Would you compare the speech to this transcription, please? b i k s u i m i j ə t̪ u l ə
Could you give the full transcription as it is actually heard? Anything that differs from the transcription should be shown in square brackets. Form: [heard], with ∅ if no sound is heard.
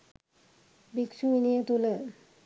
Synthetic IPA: b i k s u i [n] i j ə t̪ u l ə